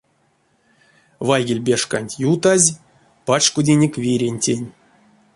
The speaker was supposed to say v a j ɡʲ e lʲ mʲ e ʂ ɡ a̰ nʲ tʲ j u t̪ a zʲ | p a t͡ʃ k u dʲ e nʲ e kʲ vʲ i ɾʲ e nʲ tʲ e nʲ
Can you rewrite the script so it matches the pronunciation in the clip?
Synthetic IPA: v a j ɡʲ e lʲ bʲ e ʂ k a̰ nʲ tʲ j u t̪ a zʲ | p a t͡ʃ k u dʲ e nʲ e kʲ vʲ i ɾʲ e nʲ tʲ e nʲ